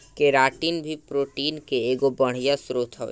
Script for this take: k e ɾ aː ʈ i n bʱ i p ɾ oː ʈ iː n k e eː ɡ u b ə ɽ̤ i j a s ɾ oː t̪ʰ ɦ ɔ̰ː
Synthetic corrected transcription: k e ɾ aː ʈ i n bʱ i p ɾ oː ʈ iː n k e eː ɡ o b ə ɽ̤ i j a s ɾ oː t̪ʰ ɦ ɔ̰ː